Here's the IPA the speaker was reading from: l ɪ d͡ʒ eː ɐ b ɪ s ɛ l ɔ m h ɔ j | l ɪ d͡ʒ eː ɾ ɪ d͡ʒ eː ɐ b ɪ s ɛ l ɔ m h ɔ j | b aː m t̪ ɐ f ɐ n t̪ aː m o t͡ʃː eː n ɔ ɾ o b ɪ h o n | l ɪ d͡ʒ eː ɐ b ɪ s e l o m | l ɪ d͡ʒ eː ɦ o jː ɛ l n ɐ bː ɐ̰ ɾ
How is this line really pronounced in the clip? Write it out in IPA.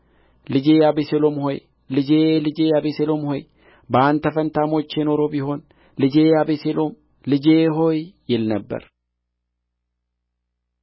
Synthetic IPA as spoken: l ɪ d͡ʒ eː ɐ b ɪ s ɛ l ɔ m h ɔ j | l ɪ d͡ʒ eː l ɪ d͡ʒ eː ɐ b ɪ s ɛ l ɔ m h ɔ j | b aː n t̪ ɐ f ɐ n t̪ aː m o t͡ʃː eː n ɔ ɾ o b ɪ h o n | l ɪ d͡ʒ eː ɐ b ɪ s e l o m | l ɪ d͡ʒ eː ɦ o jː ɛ l n ɐ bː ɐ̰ ɾ